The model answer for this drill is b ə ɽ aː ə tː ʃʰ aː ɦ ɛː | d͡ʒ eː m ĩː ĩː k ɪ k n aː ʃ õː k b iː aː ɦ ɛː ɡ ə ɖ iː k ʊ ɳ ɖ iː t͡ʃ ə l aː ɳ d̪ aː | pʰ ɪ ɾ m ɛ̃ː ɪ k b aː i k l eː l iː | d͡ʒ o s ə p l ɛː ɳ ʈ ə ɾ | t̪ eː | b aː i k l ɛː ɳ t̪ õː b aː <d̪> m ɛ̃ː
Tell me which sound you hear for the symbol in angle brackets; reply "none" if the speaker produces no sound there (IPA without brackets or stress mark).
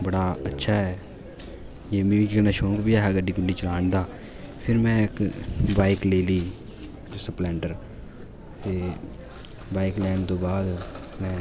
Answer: d̪